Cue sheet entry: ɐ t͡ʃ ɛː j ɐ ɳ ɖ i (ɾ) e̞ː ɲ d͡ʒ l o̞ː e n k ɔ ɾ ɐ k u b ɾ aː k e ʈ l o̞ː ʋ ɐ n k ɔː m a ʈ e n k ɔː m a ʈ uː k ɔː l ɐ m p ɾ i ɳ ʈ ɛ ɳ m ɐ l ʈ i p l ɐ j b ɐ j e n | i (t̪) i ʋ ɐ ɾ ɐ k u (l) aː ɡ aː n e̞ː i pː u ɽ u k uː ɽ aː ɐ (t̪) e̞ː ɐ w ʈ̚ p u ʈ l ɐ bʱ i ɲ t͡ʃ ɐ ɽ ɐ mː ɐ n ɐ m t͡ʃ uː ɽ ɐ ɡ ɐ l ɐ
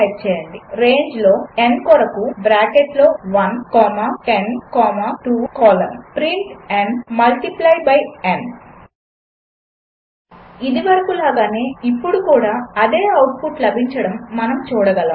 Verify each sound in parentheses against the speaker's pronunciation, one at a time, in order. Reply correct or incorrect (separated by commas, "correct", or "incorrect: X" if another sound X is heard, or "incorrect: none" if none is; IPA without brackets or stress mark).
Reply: correct, incorrect: d̪, correct, incorrect: d̪